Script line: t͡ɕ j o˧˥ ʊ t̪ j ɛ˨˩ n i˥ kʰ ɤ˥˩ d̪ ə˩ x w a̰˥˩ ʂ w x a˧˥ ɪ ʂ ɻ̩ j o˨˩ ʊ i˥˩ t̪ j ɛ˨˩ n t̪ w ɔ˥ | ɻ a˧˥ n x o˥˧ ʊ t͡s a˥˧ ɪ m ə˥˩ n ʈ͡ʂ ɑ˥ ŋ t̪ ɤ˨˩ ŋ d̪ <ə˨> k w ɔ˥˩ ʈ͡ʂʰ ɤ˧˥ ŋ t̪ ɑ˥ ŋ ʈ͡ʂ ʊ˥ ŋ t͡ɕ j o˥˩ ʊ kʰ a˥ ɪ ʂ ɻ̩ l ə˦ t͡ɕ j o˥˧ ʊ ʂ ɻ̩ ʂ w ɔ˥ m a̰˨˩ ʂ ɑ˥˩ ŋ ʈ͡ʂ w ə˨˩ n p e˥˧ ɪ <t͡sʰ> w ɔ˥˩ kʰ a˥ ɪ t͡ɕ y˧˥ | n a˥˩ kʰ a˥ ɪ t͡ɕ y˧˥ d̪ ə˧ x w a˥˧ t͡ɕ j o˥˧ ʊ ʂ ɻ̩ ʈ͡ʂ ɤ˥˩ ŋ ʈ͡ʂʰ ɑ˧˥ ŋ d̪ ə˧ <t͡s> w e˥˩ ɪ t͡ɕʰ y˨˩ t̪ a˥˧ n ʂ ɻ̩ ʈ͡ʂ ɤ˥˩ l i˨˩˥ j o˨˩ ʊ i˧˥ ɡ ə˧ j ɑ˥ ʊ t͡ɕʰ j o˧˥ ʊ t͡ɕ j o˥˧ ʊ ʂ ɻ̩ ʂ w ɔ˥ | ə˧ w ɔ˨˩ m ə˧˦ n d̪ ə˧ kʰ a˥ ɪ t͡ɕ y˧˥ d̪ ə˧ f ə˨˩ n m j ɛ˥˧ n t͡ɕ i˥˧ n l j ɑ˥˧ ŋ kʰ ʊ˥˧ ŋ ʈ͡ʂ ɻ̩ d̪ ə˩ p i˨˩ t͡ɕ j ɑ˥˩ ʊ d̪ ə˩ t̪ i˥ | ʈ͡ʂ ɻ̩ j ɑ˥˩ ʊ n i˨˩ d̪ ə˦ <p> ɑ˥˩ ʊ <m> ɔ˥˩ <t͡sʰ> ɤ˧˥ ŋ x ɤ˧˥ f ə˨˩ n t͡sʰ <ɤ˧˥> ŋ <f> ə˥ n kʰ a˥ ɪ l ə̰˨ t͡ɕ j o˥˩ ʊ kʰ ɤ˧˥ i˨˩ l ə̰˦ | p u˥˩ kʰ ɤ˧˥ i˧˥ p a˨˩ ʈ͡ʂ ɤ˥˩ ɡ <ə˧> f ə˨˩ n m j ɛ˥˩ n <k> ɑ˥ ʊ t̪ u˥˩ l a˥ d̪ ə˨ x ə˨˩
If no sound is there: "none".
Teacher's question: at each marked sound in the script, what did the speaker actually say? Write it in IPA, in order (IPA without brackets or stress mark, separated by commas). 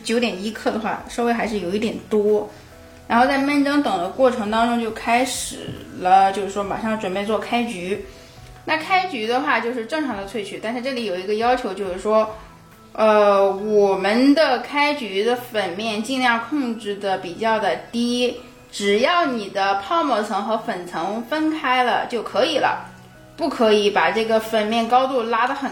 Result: ə˦, t͡s, t͡sʰ, pʰ, m, t͡sʰ, ɤ˧˥, f, ə˩, k